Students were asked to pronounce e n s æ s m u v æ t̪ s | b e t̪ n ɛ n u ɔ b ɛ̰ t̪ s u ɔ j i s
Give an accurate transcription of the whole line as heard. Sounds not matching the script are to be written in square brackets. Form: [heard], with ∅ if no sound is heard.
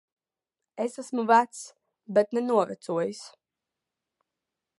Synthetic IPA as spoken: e [∅] s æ s m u v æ t̪ s | b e t̪ n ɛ n u ɔ [v] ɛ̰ t̪ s u ɔ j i s